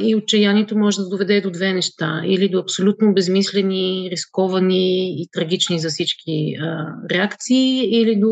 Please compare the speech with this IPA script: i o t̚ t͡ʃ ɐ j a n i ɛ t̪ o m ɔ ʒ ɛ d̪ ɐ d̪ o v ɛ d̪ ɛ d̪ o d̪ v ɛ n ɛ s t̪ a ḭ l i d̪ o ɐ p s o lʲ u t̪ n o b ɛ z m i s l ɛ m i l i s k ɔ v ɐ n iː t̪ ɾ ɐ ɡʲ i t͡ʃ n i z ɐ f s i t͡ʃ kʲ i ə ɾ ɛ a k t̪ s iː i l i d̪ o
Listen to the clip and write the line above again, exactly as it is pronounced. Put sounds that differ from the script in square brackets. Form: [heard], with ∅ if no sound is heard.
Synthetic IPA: i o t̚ t͡ʃ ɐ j a n i ɛ t̪ o m ɔ ʒ ɛ d̪ ɐ d̪ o v ɛ d̪ ɛ d̪ o d̪ v ɛ n ɛ [ʃ] t̪ a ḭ l i d̪ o ɐ p s o lʲ u t̪ n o b ɛ z m i s l ɛ [n] i [ɾ] i s k ɔ v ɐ n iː t̪ ɾ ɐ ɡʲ i t͡ʃ n i z ɐ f s i t͡ʃ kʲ i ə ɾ ɛ a k t̪ s iː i l i d̪ o